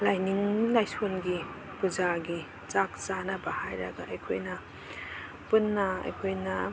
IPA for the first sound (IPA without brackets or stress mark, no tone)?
l